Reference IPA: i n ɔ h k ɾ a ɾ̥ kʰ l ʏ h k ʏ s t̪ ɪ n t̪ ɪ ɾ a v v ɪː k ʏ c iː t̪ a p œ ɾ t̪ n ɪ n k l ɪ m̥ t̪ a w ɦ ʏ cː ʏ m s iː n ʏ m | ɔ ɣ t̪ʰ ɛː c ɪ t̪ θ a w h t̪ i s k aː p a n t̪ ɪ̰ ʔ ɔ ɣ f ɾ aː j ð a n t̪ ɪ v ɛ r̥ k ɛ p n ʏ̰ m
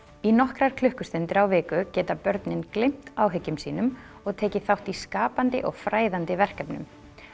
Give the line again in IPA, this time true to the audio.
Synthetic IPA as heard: i n ɔ h k ɾ a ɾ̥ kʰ l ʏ h k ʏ s t̪ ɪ n t̪ ɪ ɾ a w v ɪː k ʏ c ɛː t̪ a p œ ɾ t̪ n ɪ n k l ɪ m̥ t̪ a w ɦ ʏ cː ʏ m s iː n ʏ m | ɔ ɣ t̪ʰ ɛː c ɪ θ a w h t̪ i s k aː p a n t̪ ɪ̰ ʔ ɔ ɣ f ɾ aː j ð a n t̪ ɪ v ɛ r̥ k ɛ p n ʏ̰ m